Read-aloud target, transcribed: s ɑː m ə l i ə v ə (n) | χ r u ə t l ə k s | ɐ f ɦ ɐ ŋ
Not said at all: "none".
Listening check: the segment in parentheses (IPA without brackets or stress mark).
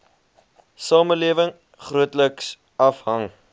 ŋ